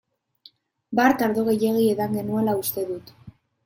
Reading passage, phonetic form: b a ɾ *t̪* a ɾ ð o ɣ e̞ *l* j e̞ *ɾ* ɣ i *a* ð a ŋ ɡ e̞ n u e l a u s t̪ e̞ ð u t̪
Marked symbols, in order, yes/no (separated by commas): yes, no, no, no